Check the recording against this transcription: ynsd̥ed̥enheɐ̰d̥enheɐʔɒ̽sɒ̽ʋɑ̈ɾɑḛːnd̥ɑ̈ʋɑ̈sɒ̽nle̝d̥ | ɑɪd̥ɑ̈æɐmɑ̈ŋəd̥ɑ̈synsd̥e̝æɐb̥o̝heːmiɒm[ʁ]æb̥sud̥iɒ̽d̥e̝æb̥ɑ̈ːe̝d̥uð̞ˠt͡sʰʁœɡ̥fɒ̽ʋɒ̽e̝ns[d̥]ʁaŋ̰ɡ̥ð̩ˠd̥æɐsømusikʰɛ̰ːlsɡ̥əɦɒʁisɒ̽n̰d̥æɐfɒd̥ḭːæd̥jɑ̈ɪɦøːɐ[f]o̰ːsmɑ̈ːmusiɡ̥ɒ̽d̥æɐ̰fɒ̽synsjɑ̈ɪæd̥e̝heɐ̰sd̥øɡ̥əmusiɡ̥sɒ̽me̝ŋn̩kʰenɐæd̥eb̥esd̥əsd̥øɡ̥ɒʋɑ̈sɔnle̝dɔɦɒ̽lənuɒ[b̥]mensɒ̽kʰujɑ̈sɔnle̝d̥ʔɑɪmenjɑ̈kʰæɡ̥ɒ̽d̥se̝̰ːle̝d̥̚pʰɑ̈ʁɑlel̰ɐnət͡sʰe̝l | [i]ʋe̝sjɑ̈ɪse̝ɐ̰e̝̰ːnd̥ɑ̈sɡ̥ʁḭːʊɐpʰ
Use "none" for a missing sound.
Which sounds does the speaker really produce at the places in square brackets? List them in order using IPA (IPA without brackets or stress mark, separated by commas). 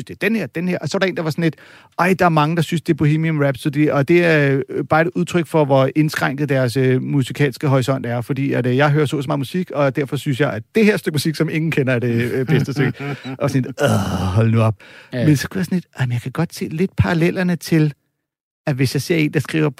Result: ʁ, ɡ̥, s, b̥, æ